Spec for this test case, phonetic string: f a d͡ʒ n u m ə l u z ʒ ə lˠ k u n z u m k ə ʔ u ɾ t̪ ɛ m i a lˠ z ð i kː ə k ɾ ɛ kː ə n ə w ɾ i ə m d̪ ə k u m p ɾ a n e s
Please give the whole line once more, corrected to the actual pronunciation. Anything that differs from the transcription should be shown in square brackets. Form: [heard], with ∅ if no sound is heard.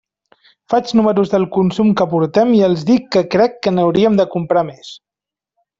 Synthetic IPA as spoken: f a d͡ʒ n u m ə [ɾ] u z [ð] ə lˠ k u n [s] u m k ə [p] u ɾ t̪ ɛ m i [ə] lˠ z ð i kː ə k ɾ ɛ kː ə n ə w ɾ i ə m d̪ ə k u m p ɾ a [m] e s